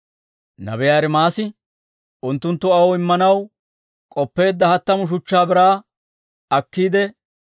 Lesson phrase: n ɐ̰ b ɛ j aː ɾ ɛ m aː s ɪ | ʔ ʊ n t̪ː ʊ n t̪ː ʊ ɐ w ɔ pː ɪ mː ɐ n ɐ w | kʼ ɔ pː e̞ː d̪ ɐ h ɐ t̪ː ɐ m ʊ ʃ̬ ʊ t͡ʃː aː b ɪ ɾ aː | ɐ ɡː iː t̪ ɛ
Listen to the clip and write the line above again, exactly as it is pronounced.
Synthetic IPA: n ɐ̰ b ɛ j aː ɾ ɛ m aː s ɪ | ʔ ʊ n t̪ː ʊ n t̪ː ʊ ɐ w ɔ ɪ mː ɐ n ɐ w | kʼ ɔ pː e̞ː d̪ː ɐ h ɐ t̪ː ɐ m ʊ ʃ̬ ʊ t͡ʃː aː b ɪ ɾ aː | ɐ kː iː d̪ ɛ